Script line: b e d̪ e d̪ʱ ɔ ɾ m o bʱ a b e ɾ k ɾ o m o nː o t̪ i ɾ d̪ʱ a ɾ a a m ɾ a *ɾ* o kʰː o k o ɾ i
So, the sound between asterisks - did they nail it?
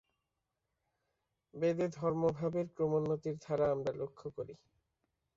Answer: no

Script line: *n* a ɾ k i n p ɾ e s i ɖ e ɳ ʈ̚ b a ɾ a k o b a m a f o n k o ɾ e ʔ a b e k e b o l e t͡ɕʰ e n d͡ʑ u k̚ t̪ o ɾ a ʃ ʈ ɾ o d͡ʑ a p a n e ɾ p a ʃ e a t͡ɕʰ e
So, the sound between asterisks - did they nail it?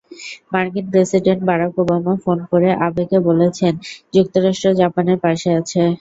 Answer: no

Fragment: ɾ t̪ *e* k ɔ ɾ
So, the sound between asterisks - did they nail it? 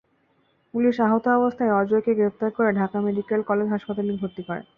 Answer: no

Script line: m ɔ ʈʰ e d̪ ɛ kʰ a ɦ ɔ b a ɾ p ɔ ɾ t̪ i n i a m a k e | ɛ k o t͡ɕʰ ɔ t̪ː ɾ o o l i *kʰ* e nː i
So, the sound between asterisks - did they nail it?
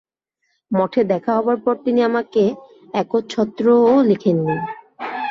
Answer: yes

